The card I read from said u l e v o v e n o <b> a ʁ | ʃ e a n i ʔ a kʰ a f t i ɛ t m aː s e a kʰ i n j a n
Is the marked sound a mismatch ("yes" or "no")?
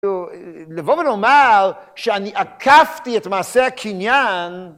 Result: yes